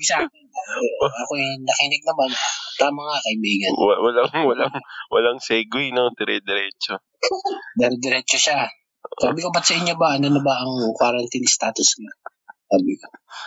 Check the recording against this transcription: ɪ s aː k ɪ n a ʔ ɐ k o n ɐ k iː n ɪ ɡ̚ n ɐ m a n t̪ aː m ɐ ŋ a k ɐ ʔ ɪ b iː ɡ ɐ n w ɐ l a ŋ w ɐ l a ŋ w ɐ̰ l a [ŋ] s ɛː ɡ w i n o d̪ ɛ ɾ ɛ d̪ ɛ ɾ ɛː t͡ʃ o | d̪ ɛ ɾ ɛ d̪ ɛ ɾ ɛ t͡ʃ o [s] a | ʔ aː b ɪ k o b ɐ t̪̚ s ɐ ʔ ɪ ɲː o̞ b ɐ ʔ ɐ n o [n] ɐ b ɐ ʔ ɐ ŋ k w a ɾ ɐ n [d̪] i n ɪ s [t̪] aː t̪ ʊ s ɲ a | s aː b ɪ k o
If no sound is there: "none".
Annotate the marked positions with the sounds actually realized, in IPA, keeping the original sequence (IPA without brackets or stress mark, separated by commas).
ŋ, ʃ, n, t̪, t̪